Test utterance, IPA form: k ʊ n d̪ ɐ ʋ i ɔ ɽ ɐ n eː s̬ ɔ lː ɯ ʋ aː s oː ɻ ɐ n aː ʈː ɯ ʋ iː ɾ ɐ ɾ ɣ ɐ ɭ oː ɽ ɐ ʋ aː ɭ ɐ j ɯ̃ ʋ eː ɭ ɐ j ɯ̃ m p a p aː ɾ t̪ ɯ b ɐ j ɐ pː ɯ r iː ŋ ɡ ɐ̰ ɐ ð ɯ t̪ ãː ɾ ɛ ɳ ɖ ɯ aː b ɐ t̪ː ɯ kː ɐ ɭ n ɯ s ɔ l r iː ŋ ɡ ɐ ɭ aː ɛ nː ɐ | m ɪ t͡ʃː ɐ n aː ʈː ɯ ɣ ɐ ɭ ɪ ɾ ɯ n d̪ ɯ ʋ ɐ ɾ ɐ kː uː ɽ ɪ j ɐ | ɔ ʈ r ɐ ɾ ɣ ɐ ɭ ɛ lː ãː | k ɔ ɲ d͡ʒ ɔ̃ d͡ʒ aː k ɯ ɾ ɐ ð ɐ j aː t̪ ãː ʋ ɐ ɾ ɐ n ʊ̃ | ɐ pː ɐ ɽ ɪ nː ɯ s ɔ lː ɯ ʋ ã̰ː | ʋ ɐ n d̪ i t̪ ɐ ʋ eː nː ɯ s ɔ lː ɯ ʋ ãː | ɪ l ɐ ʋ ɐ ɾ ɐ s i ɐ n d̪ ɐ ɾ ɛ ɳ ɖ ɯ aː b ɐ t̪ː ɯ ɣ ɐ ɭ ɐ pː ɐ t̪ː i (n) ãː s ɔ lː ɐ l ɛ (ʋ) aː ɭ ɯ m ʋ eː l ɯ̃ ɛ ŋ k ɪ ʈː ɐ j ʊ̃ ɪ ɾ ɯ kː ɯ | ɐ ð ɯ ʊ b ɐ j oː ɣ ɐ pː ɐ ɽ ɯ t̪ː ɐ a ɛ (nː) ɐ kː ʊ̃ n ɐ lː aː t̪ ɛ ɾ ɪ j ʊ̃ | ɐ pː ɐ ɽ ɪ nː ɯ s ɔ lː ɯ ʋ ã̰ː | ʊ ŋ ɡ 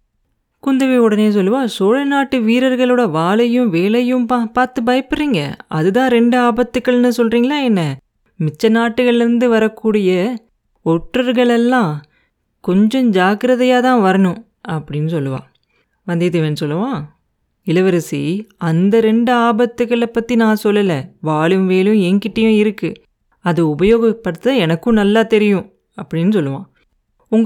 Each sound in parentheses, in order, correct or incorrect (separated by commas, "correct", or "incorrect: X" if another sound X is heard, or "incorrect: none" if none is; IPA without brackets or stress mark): correct, correct, incorrect: n